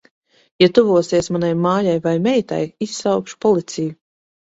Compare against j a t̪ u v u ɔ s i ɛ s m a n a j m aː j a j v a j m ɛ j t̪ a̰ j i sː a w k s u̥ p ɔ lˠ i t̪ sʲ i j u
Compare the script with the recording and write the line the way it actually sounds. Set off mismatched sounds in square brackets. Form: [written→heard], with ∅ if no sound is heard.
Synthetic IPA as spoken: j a t̪ u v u ɔ s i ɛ s m a n a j m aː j a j v a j m ɛ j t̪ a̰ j i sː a w k [s→ʃ] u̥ p ɔ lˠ i t̪ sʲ i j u